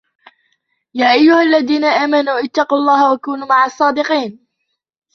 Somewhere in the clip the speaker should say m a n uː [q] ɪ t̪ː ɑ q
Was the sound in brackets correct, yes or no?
no